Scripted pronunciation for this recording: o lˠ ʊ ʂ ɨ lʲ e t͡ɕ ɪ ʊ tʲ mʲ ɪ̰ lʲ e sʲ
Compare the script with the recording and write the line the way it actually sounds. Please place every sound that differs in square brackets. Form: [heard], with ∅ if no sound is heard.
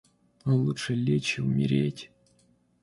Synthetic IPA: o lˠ [u] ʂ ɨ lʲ e t͡ɕ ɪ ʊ [∅] mʲ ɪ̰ [ɾʲ] e [tʲ]